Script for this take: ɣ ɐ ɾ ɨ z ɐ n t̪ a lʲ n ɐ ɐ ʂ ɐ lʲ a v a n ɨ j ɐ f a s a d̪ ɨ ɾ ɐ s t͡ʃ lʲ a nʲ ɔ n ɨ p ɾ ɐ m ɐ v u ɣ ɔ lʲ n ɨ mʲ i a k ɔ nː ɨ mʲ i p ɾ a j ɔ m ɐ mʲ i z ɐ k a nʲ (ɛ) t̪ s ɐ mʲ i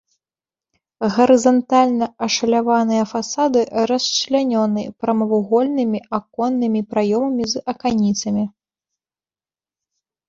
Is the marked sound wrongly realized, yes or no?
yes